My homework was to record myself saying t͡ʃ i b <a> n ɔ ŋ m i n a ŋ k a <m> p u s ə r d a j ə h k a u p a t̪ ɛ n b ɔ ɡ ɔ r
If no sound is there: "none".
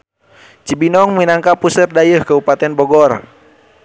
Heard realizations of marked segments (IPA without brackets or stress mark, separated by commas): i, none